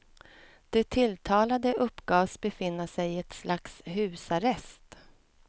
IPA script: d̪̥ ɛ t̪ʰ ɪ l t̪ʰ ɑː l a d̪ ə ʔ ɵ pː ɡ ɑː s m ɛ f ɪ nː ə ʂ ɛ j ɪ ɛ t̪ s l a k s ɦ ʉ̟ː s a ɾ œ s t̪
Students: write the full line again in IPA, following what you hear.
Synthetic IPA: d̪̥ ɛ t̪ʰ ɪ l t̪ʰ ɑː l a d̪ ə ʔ ɵ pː ɡ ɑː s b ɛ f ɪ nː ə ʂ ɛ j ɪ ɛ t̪ s l a k s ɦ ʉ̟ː s a ɾ ɛ s t̪

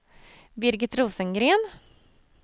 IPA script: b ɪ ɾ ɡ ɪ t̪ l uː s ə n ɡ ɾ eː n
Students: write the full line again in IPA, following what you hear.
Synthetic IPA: b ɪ ɾ ɡ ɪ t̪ ɾ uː s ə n ɡ ɾ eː n

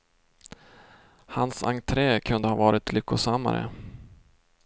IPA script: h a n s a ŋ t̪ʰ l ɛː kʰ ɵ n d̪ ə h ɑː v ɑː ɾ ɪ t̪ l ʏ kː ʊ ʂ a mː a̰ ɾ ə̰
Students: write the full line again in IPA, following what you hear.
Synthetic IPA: h a n s a ŋ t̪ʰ ɾ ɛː kʰ ɵ n d̪ ə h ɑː v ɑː ɾ ɪ t̪ l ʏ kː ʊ s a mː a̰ ɾ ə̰

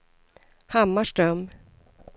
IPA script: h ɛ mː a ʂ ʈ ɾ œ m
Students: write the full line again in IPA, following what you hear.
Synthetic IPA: h a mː a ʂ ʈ ɾ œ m

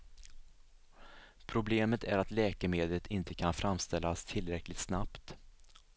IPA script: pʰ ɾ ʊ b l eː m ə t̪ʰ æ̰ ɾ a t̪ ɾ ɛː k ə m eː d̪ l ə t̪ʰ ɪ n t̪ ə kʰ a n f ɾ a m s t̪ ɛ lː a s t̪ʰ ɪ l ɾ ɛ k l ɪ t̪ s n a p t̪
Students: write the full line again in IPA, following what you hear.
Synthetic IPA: pʰ ɾ ʊ b l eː m ə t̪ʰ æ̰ ɾ a t̪ l ɛː k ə m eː d̪ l ə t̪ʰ ɪ n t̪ ə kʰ a n f ɾ a m s t̪ ɛ lː a s t̪ʰ ɪ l ɾ ɛ k l ɪ t̪ s n a p t̪

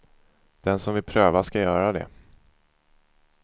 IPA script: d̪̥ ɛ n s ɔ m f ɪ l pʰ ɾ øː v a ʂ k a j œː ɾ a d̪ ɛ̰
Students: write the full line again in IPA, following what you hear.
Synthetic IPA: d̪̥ ɛ n s ɔ m v ɪ l pʰ ɾ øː v a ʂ k a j œː ɾ a d̪ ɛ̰

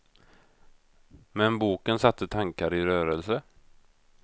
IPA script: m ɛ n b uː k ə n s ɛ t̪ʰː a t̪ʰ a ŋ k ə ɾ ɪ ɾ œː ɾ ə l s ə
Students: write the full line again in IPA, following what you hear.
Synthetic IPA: m ɛ n b uː k ə n s a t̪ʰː ə t̪ʰ a ŋ k a ɾ ɪ ɾ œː ɾ ə l s ə

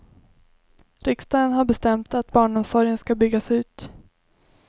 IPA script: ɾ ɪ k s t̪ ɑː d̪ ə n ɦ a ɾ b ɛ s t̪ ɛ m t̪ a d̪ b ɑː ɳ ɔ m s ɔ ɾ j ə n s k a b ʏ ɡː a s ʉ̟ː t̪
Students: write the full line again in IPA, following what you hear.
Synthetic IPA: ɾ ɪ k s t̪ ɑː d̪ ə n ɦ a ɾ b ɛ s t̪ ɛ m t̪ a t̪ b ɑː ɳ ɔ m s ɔ ɾ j ə n s k a b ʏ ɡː a s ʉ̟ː t̪

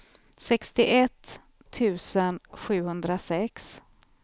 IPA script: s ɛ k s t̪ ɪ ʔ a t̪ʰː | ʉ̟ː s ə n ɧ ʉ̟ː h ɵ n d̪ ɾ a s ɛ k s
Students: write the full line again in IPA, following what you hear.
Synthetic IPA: s ɛ k s t̪ ɪ ʔ ɛ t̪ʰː | ʉ̟ː s ə n ɧ ʉ̟ː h ɵ n d̪ ɾ a s ɛ k s

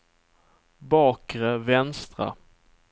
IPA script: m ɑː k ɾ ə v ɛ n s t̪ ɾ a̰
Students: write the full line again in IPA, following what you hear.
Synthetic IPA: b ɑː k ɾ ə v ɛ n s t̪ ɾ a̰

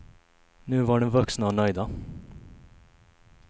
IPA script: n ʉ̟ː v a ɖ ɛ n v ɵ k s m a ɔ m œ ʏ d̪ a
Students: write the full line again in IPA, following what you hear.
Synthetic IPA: n ʉ̟ː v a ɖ ɛ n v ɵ k s n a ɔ n œ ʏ d̪ a

